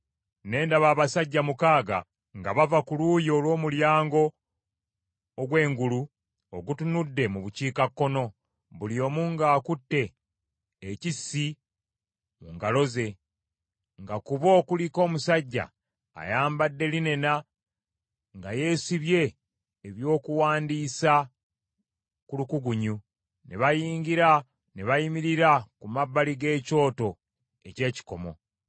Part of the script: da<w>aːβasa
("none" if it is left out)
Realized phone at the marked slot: β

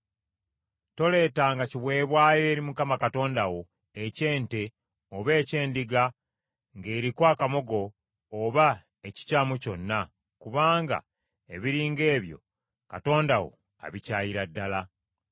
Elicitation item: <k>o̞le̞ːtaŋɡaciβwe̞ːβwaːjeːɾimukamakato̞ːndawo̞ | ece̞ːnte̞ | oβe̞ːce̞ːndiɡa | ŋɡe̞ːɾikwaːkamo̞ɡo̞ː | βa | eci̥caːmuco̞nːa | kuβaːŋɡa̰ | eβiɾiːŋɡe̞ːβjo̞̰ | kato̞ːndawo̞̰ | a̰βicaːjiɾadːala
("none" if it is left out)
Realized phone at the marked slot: t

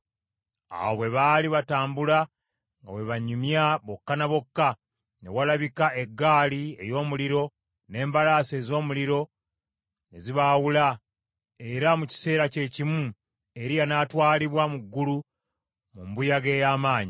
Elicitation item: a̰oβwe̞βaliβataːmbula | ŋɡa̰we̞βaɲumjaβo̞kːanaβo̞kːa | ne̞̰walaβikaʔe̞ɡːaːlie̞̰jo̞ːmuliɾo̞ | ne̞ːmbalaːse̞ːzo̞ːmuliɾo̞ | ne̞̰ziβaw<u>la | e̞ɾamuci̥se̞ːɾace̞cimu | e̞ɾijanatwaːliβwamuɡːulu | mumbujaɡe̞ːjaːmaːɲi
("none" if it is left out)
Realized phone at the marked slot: u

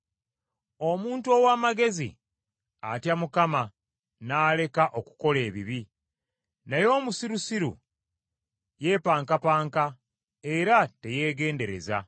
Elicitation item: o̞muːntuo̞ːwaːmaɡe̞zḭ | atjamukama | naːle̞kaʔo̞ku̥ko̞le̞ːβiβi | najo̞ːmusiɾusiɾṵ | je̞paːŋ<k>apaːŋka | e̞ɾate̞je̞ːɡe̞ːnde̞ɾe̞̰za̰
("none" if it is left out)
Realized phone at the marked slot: k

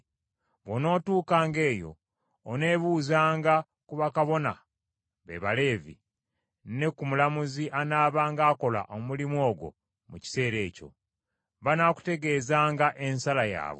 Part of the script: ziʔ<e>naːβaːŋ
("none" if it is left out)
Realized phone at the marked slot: a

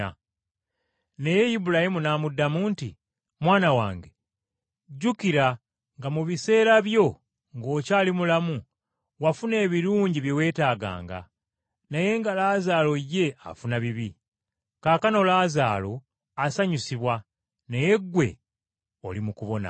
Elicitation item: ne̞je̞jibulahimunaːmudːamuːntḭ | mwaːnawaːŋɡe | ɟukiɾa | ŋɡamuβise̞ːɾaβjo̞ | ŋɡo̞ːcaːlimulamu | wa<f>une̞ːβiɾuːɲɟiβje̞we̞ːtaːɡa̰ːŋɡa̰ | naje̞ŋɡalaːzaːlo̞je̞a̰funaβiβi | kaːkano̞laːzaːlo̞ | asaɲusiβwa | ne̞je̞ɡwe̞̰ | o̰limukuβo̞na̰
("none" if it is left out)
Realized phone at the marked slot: f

